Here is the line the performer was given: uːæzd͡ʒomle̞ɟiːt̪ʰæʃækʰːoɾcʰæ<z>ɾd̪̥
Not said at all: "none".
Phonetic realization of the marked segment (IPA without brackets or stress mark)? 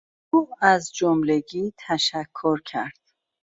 none